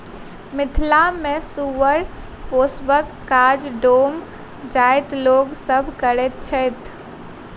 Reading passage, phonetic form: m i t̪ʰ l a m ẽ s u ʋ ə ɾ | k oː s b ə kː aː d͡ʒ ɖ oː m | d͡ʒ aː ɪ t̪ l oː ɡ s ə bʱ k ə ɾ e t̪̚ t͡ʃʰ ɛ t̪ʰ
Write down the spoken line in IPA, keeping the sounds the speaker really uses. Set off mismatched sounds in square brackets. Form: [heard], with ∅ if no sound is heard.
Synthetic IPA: m [ɪ] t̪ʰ l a m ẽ s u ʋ ə ɾ | [p] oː s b ə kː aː d͡ʒ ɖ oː m | d͡ʒ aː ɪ t̪ l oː ɡ s ə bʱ k ə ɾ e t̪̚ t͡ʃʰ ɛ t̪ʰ